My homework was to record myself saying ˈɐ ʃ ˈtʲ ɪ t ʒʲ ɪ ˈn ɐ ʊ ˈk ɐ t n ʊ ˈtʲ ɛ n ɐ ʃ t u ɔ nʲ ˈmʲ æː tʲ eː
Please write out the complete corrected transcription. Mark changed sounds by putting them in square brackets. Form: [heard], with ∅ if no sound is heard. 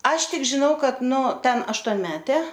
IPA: ˈɐ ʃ ˈtʲ ɪ [k] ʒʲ ɪ ˈn ɐ ʊ ˈk ɐ t n ʊ ˈtʲ ɛ n ɐ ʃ t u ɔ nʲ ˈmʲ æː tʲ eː